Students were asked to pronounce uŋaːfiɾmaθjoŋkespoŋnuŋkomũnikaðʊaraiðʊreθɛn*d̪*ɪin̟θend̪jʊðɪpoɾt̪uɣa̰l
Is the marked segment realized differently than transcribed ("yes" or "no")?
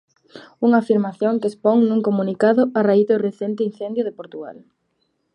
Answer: yes